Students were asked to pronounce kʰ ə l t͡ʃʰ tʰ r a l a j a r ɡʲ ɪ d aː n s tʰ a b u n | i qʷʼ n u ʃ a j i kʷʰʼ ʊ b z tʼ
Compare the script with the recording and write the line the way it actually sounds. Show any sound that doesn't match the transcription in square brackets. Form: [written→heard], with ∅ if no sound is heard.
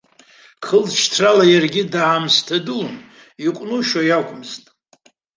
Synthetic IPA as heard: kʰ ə l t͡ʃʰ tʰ r a l a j a r ɡʲ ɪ d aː [n→m] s tʰ a [b→d] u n | i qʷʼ n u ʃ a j [i→a] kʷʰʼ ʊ [b→m] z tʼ